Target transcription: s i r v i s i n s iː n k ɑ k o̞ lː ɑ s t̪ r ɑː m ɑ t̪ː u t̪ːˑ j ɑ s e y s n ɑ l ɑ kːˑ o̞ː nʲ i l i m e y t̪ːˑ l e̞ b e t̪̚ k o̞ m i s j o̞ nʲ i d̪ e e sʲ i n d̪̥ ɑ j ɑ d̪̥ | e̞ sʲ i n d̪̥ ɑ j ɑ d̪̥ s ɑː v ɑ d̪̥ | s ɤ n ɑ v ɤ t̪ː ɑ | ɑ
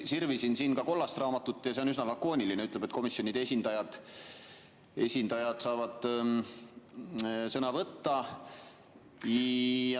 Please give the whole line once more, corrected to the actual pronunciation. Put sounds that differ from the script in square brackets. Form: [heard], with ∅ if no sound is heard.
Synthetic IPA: s i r v i s i n s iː n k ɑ k o̞ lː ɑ s t̪ r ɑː m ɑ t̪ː u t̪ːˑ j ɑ s e y s n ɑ l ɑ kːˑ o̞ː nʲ i l i [n] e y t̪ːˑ l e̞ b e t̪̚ k o̞ m i s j o̞ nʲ i d̪ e e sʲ i n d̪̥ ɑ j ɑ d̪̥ | e̞ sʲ i n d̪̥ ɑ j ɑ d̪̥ s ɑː v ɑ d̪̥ | s ɤ n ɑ v ɤ t̪ː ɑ | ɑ